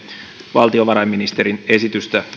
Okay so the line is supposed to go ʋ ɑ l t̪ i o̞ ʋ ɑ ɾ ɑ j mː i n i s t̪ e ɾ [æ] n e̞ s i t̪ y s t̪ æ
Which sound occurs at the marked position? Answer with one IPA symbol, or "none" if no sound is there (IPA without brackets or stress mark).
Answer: i